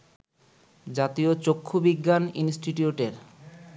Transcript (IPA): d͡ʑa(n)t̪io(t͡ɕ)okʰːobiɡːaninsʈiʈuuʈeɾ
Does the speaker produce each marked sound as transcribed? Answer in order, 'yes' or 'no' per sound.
no, yes

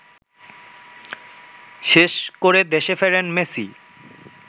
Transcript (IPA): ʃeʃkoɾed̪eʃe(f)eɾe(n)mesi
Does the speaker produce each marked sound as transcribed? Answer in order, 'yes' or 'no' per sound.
yes, yes

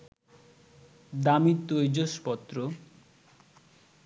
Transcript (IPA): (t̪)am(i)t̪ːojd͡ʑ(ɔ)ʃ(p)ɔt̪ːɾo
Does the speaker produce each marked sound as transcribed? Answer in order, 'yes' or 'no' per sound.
no, yes, no, yes

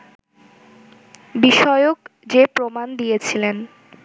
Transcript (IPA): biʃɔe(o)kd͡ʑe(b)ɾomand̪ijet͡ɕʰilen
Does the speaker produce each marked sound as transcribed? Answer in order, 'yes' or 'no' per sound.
yes, no

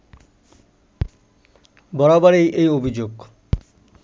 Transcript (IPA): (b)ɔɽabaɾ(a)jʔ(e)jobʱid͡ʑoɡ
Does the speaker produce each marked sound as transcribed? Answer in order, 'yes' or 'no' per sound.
yes, no, yes

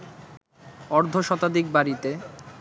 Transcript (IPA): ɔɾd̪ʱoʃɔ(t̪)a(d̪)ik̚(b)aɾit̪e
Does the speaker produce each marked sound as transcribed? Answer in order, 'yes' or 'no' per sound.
yes, yes, yes

